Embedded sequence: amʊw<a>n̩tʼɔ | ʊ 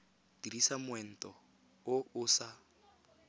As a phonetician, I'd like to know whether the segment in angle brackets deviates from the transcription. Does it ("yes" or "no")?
yes